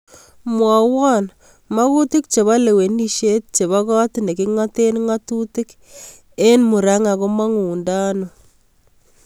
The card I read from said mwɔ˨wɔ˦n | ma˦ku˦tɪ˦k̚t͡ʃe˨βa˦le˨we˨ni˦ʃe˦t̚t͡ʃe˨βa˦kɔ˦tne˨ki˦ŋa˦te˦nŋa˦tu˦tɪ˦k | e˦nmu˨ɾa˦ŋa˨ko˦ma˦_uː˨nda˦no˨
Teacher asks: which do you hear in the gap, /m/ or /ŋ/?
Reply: ŋ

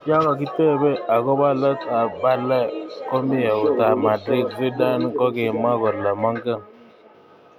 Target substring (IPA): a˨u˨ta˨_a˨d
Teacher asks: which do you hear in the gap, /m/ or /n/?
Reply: m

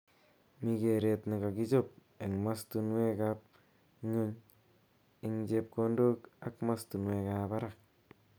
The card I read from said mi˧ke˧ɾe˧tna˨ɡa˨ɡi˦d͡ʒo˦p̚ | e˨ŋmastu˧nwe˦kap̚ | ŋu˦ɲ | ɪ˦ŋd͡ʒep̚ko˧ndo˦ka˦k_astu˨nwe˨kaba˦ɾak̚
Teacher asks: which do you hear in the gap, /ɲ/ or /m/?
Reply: m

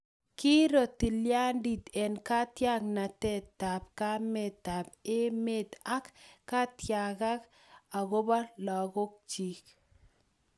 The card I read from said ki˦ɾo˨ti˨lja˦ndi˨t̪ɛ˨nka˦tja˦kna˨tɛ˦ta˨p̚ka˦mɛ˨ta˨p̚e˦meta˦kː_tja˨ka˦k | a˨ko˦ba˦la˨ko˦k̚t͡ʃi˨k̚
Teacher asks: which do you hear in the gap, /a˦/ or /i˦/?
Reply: a˦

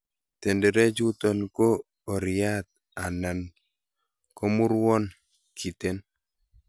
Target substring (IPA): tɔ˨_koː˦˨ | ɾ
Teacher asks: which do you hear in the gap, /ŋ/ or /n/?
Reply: n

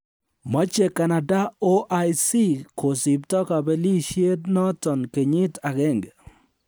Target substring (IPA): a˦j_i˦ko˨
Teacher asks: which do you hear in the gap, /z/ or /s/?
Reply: s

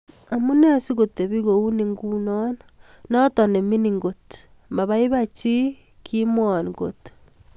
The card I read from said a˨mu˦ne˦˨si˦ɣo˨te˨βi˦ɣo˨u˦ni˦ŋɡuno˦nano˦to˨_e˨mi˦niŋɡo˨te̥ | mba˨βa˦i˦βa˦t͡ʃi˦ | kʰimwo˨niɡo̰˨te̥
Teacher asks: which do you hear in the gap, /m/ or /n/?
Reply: n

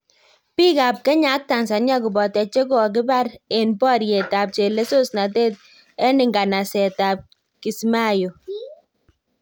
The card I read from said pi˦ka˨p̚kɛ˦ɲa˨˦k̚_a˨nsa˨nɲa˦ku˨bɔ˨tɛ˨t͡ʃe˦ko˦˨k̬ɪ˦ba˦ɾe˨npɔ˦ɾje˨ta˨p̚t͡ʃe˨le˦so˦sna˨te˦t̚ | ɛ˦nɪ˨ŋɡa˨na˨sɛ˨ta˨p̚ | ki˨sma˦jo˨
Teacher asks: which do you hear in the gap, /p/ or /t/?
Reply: t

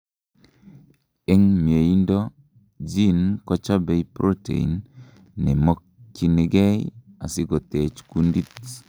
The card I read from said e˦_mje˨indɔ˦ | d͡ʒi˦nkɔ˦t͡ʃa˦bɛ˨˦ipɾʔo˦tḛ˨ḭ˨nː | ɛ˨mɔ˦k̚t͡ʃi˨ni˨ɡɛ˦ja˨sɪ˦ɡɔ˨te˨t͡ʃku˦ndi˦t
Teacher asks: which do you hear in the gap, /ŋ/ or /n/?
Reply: ŋ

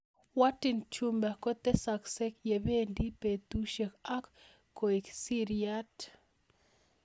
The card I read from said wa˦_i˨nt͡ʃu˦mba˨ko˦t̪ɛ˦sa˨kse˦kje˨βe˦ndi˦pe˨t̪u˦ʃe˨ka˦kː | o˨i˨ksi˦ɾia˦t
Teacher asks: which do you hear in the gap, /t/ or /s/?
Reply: t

